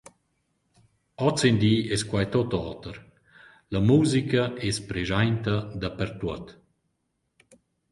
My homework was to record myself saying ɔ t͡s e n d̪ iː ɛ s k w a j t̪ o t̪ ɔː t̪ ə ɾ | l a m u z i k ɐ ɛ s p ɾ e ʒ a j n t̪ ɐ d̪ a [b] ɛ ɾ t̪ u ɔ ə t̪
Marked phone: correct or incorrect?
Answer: incorrect